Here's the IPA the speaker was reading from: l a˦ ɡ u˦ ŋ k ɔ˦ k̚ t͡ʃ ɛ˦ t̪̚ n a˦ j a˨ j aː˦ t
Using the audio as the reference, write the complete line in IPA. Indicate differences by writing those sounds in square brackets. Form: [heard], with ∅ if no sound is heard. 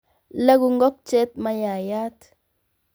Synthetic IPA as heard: l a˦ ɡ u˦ ŋ [ɡ] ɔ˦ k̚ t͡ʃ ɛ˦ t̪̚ [m] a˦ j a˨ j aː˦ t